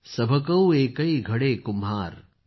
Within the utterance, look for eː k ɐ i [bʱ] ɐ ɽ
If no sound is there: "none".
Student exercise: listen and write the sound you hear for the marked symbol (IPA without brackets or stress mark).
ɡʱ